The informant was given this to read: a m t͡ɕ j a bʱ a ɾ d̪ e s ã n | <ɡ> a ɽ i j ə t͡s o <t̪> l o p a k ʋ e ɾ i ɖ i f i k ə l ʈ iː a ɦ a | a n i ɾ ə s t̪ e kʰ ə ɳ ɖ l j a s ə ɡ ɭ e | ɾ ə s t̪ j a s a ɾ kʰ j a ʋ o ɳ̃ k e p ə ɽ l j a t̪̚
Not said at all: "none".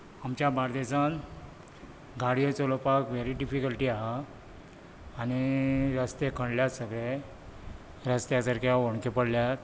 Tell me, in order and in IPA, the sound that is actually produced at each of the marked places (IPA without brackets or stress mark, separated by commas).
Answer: ɡ, none